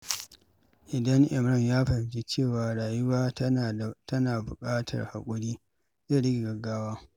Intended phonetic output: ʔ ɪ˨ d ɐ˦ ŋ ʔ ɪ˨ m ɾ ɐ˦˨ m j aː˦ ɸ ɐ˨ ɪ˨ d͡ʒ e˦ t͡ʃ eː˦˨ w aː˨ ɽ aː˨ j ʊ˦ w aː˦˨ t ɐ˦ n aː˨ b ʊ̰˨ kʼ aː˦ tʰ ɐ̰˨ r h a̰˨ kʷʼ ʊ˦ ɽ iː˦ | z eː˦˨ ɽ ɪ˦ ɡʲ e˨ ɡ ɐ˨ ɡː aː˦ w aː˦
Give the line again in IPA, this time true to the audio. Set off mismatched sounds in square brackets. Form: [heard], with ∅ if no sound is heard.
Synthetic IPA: ʔ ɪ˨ d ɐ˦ ŋ ʔ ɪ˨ m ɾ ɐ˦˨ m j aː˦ ɸ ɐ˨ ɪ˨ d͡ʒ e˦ t͡ʃ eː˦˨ w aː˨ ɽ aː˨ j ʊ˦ w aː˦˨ t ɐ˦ n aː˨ b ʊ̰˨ kʼ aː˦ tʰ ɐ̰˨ r h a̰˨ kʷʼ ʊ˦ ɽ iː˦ | z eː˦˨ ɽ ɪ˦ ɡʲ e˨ ɡ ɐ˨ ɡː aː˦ w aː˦